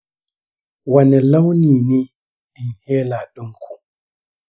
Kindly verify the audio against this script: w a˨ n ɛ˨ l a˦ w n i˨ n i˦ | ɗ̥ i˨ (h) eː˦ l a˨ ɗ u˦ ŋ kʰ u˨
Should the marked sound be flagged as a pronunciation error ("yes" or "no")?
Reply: no